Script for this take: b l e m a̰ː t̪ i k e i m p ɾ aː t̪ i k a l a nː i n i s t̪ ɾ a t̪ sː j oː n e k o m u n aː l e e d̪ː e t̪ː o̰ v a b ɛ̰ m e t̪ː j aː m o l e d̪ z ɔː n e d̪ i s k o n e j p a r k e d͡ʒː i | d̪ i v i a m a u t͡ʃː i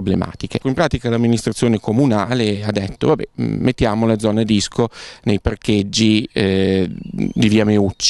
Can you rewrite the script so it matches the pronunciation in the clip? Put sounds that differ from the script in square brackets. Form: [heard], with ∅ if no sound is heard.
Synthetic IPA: b l e m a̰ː t̪ i k e i m p ɾ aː t̪ i k a l a [mː] i n i s t̪ ɾ a t̪ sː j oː n e k o m u n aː l e [a] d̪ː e t̪ː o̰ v a b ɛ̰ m e t̪ː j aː m o l e d̪ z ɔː n e d̪ i s k o n e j p a r k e d͡ʒː i | d̪ i v i a m [e] u t͡ʃː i